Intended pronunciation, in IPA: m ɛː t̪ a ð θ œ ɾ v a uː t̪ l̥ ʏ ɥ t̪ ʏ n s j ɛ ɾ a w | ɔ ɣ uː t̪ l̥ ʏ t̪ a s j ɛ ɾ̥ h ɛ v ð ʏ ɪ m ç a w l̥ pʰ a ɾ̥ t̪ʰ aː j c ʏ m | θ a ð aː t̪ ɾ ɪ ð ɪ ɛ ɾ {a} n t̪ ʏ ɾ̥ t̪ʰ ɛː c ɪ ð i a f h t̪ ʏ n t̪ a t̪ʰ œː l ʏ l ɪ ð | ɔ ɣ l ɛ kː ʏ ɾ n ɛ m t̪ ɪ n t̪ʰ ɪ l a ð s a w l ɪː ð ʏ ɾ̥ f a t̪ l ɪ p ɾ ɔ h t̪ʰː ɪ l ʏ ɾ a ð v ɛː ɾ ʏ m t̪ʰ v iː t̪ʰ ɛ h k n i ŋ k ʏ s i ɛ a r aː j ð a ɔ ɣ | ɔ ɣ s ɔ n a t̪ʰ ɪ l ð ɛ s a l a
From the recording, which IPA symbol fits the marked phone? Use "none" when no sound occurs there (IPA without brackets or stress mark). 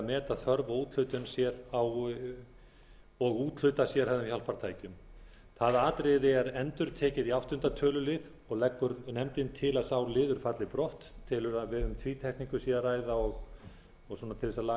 ɛ